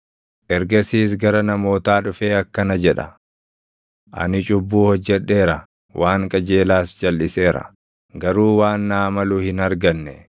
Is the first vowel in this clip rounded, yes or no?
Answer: no